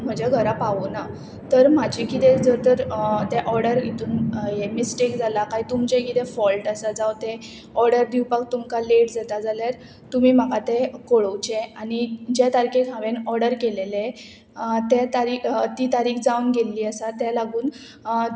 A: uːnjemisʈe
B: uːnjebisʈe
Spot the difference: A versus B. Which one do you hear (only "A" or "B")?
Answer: A